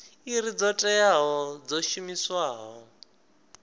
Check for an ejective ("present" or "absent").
present